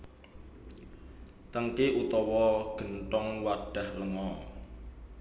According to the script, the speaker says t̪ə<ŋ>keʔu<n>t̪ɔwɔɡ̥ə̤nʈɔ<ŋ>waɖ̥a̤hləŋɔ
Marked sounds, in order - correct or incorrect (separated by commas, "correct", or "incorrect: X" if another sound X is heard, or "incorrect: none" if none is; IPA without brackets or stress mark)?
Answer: correct, incorrect: none, correct